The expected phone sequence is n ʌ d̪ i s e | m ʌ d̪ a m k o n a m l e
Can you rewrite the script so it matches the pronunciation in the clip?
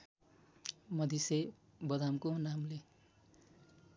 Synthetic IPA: m ʌ d̪ i s e | b ʌ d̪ a m k o n a m l e